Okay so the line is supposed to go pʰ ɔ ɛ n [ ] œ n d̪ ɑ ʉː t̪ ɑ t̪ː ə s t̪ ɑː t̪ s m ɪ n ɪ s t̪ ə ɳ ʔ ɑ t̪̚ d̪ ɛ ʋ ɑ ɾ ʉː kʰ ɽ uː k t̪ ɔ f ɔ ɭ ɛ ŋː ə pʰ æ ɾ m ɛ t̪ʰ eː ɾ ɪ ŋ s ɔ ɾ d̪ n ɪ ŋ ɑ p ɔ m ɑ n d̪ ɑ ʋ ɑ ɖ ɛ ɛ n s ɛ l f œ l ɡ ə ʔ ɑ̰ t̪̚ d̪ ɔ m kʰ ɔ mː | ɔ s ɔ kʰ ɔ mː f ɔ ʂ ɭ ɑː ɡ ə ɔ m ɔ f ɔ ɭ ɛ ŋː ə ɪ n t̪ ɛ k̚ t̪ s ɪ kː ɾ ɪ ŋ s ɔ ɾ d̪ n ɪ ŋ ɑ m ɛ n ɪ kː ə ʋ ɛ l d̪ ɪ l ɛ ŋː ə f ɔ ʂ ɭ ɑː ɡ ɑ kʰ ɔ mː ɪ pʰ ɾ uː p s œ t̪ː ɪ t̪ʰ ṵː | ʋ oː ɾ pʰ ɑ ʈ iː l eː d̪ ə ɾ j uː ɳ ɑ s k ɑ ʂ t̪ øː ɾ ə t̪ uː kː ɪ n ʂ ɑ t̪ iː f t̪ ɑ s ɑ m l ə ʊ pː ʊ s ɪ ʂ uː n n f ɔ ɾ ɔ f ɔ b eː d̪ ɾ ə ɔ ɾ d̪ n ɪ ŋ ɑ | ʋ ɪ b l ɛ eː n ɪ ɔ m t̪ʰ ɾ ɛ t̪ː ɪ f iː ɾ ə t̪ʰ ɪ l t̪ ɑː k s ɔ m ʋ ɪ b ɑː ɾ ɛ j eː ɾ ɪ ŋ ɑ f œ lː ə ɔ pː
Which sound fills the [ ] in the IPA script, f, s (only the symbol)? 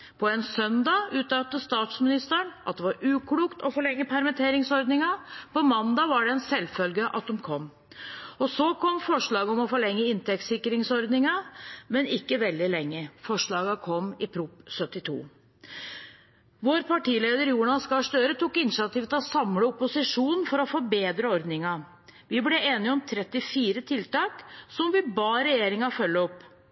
s